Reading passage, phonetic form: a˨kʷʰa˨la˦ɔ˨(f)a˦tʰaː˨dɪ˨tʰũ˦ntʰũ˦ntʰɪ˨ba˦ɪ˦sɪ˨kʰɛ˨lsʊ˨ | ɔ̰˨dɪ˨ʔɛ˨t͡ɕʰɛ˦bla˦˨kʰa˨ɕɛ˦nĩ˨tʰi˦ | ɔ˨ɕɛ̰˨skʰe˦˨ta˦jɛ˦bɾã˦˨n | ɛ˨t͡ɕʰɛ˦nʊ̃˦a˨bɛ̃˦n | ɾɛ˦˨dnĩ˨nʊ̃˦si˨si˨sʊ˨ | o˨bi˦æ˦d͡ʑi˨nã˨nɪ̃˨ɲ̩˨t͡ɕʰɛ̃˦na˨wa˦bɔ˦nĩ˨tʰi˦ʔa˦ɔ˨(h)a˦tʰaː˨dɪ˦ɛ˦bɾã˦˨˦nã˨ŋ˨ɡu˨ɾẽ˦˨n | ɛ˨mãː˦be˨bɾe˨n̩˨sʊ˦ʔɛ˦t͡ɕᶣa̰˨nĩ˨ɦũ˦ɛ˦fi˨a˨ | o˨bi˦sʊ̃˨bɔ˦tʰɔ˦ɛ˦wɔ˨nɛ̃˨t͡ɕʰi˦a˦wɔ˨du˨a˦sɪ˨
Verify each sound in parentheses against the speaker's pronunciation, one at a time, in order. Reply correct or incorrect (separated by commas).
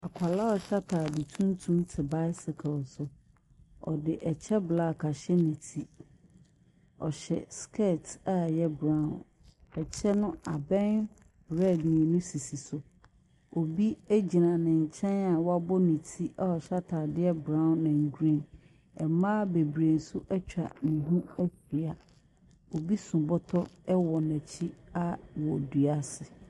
incorrect, incorrect